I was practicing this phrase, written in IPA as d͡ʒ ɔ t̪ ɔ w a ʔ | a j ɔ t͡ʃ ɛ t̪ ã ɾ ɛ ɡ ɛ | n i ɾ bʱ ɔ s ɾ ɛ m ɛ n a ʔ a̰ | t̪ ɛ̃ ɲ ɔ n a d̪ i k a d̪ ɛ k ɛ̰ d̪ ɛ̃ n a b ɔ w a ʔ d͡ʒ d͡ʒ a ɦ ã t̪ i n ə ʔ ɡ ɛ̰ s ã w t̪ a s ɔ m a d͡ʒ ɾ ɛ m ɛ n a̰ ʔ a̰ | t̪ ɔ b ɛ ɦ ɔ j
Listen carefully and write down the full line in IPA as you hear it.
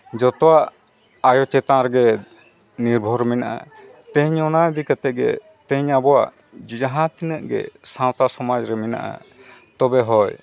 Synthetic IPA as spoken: d͡ʒ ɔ t̪ ɔ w a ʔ | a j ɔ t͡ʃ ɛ t̪ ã ɾ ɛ ɡ ɛ | n i ɾ bʱ ɔ ɾ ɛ m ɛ n a ʔ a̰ | t̪ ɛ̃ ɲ ɔ n a d̪ i k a t̪ ɛ ɡ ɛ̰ t̪ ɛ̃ ɲ a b ɔ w a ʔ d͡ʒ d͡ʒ a ɦ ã t̪ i n ə ʔ ɡ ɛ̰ s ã w t̪ a s ɔ m a d͡ʒ ɾ ɛ m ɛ n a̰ ʔ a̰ | t̪ ɔ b ɛ ɦ ɔ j